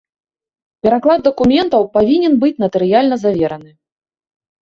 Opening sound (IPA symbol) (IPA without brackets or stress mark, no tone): pʲ